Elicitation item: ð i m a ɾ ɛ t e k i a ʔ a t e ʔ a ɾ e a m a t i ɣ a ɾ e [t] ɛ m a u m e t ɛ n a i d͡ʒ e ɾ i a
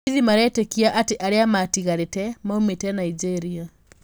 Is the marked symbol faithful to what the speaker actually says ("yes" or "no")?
yes